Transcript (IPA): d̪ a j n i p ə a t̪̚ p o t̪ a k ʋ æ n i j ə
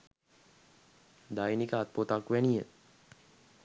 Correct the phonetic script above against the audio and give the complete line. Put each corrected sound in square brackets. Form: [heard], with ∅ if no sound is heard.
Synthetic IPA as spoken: d̪ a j n i [k] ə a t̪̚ p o t̪ a k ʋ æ n i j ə